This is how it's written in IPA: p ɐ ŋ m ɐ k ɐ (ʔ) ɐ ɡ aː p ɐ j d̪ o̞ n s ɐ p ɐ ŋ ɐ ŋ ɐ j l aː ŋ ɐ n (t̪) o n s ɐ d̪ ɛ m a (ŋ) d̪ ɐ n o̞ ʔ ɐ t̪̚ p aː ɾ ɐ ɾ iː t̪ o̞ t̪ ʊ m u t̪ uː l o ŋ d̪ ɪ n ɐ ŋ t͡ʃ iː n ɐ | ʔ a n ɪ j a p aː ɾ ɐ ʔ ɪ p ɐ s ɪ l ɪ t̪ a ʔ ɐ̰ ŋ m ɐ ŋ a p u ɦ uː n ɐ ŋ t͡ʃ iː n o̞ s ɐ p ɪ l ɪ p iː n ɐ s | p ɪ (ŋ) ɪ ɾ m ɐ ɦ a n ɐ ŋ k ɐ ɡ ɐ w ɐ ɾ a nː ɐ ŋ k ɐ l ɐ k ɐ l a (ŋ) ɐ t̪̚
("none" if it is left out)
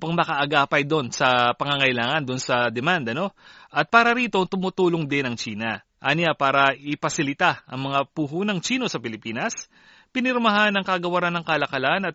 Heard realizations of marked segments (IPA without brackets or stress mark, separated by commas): ʔ, d̪, n, n, n